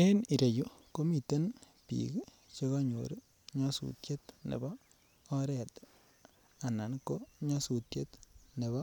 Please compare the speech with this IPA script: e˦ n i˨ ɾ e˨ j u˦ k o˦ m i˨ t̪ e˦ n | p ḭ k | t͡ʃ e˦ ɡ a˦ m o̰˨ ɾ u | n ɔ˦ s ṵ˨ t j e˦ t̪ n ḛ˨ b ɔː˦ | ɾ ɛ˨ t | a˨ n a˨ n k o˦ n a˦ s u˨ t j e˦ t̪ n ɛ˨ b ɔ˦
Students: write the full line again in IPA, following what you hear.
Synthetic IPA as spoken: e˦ n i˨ ɾ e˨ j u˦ k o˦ m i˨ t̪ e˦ n | p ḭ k | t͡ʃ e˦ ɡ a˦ ɲ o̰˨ ɾ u | ɲ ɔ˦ s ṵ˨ t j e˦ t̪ n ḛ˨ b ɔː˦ | ɾ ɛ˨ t | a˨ n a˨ n k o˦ ɲ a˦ s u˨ t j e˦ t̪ n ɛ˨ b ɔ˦